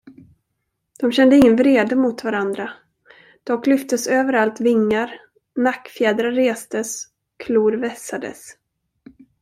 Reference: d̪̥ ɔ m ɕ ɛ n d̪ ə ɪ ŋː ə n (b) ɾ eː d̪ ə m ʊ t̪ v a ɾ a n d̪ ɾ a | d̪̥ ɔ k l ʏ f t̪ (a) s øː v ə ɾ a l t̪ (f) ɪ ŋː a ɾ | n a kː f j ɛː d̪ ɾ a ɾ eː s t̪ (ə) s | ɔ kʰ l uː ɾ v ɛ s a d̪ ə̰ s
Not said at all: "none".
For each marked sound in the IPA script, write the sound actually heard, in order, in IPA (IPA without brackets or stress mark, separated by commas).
v, ə, v, ə